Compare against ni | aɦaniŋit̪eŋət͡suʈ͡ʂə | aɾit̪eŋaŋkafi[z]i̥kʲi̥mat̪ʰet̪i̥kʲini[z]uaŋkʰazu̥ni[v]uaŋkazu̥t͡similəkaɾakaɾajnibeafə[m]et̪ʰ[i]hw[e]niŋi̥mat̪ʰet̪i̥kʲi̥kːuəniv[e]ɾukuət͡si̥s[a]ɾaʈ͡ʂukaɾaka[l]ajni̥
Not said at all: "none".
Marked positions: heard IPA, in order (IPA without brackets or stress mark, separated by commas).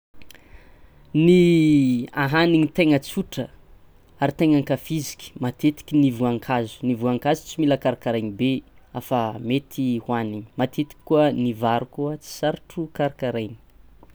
z, v, v, m, i, a, a, a, ɾ